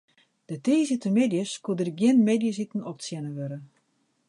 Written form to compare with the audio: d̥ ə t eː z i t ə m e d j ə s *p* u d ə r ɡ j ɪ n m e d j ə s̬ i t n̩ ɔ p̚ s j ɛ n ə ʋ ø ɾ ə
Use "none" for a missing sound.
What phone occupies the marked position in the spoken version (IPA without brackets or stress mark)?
k